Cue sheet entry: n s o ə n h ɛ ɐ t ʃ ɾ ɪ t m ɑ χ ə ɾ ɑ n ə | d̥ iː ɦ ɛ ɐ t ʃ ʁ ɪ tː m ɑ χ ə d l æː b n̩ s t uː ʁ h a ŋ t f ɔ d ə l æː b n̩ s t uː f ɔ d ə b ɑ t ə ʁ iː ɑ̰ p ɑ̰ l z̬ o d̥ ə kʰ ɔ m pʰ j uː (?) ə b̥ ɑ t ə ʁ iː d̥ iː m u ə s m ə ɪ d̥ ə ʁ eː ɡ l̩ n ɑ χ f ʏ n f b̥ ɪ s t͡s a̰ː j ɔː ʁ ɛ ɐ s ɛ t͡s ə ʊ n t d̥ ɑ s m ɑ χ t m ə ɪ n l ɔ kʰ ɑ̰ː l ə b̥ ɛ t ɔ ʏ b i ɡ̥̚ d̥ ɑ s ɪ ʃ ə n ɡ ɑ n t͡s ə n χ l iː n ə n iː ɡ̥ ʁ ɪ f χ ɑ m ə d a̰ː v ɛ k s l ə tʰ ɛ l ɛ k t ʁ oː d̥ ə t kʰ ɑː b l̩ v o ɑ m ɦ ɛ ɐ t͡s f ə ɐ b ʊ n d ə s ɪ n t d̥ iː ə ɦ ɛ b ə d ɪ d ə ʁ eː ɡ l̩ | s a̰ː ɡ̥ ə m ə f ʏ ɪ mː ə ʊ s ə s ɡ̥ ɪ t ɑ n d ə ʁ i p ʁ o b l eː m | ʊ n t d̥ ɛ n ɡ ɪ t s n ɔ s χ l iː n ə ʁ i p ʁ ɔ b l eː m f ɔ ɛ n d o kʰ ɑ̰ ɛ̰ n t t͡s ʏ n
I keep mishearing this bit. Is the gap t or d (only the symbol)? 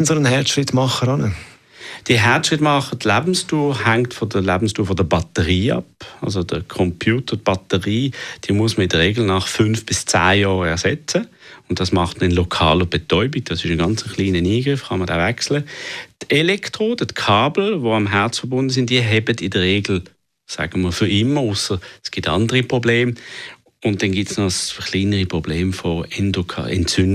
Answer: t